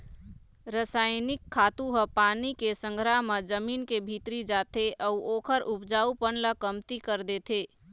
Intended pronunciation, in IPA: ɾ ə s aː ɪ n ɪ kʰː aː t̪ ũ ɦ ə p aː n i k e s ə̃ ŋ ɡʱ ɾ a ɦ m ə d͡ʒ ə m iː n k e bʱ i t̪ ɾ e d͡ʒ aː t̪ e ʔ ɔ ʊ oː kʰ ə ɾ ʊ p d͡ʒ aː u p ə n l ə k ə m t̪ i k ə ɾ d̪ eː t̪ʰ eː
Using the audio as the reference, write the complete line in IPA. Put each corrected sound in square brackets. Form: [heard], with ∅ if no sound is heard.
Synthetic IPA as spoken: ɾ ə s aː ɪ n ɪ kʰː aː t̪ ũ ɦ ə p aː n i k e s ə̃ ŋ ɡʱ ɾ a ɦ m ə d͡ʒ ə m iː n k e bʱ i t̪ ɾ [i] d͡ʒ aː t̪ e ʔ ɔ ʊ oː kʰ ə ɾ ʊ p d͡ʒ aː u p ə n l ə k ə m t̪ i k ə ɾ d̪ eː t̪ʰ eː